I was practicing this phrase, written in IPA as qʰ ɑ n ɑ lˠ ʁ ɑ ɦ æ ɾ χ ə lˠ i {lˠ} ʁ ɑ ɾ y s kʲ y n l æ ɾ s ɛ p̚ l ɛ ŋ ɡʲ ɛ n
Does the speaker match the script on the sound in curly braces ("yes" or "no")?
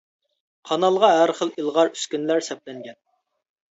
yes